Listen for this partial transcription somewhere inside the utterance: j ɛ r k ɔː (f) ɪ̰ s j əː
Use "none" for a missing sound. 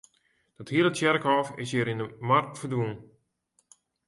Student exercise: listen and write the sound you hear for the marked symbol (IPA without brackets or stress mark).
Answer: f